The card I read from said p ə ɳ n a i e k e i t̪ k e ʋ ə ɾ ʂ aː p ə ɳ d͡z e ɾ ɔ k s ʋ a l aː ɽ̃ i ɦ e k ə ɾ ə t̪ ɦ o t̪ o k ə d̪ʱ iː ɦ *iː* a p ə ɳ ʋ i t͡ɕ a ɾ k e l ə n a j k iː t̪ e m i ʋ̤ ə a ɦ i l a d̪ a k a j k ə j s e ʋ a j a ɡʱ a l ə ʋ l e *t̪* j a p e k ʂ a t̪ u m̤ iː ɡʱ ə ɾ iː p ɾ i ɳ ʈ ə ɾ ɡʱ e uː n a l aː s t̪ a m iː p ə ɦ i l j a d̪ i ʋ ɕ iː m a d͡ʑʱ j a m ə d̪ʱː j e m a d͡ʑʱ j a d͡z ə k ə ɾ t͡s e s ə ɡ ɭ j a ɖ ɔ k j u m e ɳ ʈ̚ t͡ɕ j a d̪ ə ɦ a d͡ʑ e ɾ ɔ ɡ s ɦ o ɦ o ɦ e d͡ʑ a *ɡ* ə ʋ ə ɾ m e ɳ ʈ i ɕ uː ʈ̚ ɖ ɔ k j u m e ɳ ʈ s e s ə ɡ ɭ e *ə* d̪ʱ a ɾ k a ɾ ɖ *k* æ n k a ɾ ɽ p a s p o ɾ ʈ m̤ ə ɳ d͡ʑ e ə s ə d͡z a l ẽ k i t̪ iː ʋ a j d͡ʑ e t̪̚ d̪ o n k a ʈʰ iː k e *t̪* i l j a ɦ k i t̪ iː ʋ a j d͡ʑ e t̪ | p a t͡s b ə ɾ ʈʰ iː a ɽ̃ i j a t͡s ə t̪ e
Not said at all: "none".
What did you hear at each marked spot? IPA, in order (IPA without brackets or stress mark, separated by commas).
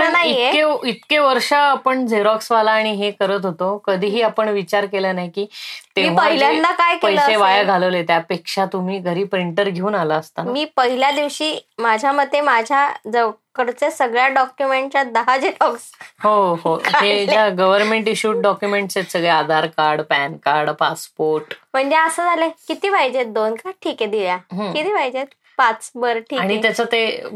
iː, t̪, ɡ, a, p, d̪